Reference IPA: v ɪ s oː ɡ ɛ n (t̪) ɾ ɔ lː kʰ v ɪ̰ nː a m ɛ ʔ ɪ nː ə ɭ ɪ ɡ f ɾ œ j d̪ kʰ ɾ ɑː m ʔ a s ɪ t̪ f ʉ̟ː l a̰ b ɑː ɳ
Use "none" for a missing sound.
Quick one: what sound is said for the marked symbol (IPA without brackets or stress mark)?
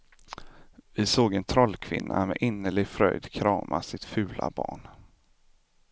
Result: t̪ʰ